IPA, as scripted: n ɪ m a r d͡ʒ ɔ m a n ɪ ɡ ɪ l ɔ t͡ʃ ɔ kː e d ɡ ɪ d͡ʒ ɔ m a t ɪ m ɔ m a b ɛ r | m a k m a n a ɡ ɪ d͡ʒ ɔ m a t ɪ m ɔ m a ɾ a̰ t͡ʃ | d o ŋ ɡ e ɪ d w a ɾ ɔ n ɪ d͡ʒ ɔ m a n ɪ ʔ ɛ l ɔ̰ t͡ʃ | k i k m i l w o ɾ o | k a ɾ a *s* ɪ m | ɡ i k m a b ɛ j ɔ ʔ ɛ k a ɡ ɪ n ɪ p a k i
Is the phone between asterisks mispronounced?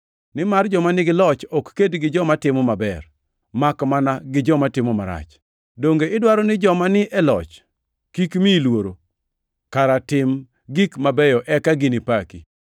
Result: yes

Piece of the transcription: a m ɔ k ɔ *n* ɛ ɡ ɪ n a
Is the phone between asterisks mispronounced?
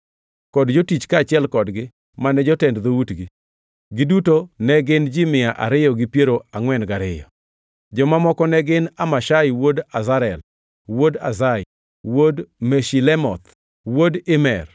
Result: no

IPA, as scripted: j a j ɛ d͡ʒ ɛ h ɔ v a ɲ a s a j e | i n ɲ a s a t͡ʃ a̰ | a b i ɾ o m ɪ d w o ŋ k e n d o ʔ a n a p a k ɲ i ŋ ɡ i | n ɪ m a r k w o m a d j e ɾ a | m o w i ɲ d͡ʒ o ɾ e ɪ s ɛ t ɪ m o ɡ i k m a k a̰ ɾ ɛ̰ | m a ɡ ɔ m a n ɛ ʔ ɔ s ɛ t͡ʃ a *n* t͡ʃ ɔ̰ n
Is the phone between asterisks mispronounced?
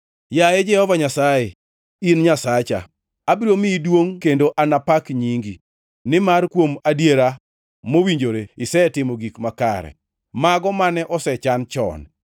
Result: no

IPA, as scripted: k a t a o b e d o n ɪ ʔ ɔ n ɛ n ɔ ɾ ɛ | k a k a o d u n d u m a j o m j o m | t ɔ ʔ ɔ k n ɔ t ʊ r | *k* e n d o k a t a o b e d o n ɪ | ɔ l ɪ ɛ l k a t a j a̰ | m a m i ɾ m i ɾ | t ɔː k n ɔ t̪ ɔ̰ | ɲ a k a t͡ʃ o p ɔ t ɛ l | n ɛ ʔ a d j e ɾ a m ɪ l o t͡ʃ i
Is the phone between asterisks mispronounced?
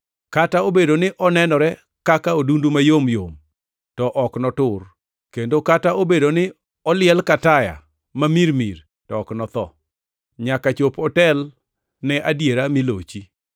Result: no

